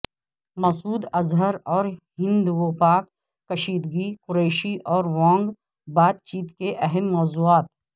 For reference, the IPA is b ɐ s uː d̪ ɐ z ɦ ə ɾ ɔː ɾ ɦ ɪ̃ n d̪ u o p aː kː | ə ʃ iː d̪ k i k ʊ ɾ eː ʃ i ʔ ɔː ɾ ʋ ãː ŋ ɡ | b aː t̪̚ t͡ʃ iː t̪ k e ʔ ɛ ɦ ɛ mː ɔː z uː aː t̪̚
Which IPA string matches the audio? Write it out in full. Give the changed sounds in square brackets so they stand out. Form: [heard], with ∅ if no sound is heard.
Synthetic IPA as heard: [m] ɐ s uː d̪ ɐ z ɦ ə ɾ ɔː ɾ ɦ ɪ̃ n d̪ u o p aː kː | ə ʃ iː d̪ [ɡ] i k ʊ ɾ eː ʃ i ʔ ɔː ɾ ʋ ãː ŋ ɡ | b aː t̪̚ t͡ʃ iː t̪ k e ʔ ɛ ɦ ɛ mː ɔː z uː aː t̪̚